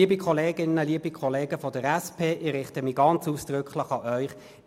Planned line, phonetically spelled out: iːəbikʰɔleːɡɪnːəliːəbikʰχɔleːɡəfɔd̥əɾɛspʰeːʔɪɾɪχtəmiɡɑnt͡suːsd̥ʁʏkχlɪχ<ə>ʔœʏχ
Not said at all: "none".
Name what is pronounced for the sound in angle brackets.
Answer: ɑ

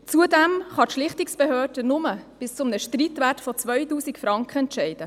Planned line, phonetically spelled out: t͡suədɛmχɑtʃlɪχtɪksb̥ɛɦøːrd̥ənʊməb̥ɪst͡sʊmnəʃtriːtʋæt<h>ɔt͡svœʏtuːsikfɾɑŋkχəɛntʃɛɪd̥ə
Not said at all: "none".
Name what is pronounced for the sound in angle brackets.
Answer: f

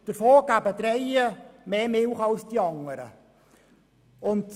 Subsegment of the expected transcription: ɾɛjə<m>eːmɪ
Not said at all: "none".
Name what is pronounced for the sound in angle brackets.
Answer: m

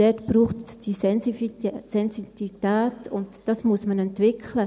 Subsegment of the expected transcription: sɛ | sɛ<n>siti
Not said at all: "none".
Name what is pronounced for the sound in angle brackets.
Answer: n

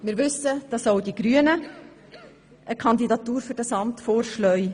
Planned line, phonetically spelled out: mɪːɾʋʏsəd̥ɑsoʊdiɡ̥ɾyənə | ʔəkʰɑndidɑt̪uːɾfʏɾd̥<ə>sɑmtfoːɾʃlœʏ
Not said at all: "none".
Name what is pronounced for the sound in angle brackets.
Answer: ɑ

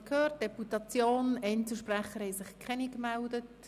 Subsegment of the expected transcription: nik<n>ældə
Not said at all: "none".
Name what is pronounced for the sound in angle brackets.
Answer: m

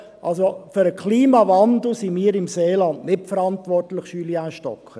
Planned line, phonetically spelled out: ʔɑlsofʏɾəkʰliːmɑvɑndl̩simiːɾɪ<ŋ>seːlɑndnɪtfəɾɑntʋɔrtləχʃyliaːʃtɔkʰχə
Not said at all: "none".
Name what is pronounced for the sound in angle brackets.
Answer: m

